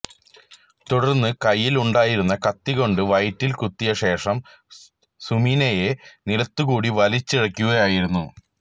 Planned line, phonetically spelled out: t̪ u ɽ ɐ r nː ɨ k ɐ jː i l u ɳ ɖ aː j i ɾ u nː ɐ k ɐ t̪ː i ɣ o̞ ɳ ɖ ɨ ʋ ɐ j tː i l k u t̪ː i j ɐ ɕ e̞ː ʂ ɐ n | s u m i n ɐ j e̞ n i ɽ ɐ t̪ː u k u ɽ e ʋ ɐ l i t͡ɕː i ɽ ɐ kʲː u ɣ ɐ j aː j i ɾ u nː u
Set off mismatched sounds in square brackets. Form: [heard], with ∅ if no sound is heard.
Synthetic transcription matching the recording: t̪ u ɽ ɐ r nː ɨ k ɐ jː i l u ɳ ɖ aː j i ɾ u nː ɐ k ɐ t̪ː i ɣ o̞ ɳ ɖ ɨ ʋ ɐ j tː i l k u t̪ː i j ɐ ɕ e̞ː ʂ ɐ [m] | s u m i n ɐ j e̞ n i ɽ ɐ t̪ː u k [uː] ɽ [i] ʋ ɐ l i t͡ɕː i ɽ ɐ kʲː u ɣ ɐ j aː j i ɾ u nː u